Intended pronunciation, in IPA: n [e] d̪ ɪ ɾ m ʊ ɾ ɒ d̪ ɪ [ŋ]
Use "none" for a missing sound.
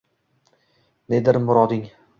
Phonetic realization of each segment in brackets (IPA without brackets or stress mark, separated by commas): e, ŋ